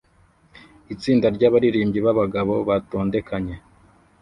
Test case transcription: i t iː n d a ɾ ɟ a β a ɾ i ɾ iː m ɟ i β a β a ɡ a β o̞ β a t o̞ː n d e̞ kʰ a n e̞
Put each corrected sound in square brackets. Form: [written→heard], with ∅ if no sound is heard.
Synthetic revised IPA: i [t→t͡s] iː n d a ɾ ɟ a β a ɾ i ɾ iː m ɟ i β a β a ɡ a β o̞ β a t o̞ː n d e̞ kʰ a [n→ɲ] e̞